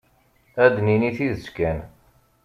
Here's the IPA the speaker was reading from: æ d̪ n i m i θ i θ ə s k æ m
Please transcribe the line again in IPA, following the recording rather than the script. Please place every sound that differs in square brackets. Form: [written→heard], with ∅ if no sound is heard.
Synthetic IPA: æ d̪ n i [m→n] i θ i [θ→ð] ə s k æ [m→n]